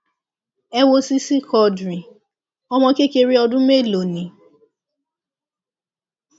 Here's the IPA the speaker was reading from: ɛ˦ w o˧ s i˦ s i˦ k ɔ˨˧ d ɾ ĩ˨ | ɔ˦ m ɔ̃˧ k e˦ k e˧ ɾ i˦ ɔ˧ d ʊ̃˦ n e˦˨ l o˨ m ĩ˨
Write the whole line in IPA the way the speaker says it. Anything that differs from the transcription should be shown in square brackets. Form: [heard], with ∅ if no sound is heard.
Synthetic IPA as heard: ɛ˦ w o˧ s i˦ s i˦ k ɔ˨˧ d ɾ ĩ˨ | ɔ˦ m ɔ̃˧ k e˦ k e˧ ɾ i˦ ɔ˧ d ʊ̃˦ [m] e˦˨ l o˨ [n] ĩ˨